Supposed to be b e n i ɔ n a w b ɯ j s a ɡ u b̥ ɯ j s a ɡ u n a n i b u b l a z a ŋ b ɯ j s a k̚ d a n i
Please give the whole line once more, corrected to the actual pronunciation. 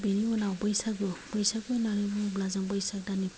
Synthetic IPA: b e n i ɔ n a w b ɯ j s a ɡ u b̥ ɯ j s a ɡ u n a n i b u b l a z a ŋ b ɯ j s a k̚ d a n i